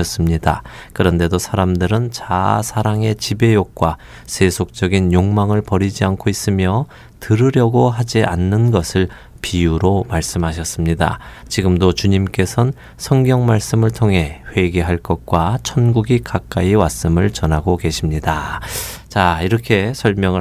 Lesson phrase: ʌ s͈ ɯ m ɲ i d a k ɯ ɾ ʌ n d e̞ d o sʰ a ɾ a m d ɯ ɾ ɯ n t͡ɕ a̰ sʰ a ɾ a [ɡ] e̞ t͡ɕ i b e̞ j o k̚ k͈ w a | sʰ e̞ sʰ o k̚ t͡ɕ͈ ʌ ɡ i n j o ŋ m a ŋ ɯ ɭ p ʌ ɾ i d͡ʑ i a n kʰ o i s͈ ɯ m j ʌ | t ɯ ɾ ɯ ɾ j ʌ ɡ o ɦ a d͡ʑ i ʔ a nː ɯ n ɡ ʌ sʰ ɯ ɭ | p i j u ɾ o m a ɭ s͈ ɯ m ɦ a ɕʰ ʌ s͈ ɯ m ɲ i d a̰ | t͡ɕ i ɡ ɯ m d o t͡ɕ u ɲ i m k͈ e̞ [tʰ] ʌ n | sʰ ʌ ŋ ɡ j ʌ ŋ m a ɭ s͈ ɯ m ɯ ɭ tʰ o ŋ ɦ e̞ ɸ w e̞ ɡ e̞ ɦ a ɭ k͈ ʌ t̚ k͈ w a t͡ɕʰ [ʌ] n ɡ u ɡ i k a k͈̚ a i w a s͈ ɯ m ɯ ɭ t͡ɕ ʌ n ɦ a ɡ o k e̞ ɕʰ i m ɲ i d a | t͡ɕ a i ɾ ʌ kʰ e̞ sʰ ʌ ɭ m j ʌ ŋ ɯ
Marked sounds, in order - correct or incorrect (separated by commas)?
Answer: incorrect, incorrect, correct